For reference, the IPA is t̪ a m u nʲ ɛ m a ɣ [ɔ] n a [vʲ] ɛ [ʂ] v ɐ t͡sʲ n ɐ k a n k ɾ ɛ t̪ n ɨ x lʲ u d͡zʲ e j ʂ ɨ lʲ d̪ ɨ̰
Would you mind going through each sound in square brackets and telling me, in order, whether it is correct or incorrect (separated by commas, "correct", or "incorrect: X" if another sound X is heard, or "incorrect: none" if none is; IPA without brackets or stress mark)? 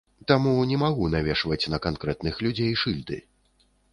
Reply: incorrect: u, correct, correct